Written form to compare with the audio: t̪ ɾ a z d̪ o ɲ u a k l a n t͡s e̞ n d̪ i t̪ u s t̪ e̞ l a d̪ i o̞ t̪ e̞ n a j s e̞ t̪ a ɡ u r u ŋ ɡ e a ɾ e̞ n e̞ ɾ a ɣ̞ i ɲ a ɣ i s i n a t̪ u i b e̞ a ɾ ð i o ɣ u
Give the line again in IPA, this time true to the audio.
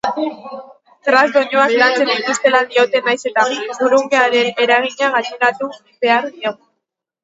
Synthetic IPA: t̪ ɾ a z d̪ o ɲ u a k l a n t͡s e̞ n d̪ i t̪ u s t̪ e̞ l a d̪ i o̞ t̪ e̞ n a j s e̞ t̪ a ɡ u ɾ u ŋ ɡ e a ɾ e̞ n e̞ ɾ a ɣ̞ i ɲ a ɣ a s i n a t̪ u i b e̞ a ɾ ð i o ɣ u